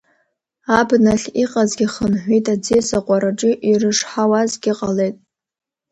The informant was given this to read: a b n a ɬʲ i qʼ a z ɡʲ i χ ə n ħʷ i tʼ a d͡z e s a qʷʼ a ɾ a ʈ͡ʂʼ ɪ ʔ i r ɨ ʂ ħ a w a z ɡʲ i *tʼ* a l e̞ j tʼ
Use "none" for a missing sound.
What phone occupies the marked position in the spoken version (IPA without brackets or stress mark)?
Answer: qʼ